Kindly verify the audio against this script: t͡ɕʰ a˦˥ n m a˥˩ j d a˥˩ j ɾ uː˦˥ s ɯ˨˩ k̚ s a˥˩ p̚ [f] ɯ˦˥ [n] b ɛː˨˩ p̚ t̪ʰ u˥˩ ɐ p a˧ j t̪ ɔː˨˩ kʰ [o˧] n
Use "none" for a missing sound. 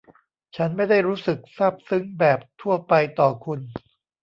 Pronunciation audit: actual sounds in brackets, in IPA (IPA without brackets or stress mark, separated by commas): s, ŋ, u˧